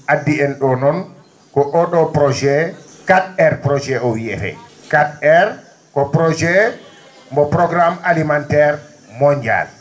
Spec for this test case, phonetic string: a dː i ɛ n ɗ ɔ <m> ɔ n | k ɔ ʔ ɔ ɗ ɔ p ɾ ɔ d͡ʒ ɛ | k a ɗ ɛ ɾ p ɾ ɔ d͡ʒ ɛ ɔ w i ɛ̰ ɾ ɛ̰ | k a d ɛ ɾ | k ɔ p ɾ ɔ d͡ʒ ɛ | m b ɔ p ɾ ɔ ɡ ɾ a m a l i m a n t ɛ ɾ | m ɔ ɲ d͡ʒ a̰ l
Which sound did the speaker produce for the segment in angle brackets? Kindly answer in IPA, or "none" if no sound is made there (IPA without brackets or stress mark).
n